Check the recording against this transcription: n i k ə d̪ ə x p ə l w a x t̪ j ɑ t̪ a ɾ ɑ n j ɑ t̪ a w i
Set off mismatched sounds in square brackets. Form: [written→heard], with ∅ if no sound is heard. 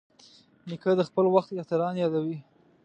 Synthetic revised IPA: n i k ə d̪ ə x p ə l w a x t̪ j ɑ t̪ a ɾ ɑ n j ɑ [t̪→d̪] a w i